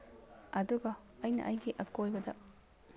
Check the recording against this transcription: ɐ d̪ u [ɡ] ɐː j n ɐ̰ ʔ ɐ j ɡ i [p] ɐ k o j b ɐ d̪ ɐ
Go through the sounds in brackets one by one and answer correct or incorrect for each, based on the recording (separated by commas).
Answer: correct, incorrect